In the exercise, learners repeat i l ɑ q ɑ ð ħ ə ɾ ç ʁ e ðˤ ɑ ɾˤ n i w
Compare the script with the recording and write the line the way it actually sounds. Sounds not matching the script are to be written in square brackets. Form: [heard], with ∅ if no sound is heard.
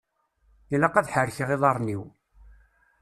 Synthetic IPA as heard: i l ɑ q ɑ ð ħ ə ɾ ç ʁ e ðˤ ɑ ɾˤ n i w